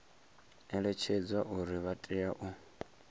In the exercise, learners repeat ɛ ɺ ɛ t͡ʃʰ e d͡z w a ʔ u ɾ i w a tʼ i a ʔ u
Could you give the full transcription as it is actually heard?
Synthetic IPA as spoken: ɛ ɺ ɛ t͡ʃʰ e d͡z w a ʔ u ɾ i β a tʼ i a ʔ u